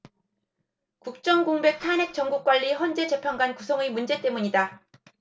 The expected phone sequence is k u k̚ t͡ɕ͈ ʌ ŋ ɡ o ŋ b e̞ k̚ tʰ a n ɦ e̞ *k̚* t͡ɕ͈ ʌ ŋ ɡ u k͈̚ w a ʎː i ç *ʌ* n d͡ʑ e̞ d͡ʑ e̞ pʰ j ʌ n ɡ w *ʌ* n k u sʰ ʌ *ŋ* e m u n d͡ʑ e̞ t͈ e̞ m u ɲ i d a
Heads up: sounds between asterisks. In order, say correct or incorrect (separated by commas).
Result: correct, correct, incorrect, correct